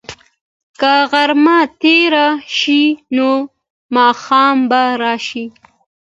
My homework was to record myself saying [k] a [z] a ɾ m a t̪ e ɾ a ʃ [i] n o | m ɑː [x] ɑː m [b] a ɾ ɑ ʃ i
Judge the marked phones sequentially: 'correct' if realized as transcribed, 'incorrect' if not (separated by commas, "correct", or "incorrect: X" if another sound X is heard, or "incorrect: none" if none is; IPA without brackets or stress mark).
correct, incorrect: ɣ, correct, correct, correct